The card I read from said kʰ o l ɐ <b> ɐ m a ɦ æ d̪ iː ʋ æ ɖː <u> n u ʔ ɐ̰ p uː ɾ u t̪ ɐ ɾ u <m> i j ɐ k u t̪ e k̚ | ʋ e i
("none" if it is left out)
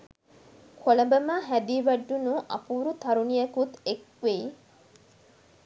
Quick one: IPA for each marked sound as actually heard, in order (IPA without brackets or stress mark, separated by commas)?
b, u, n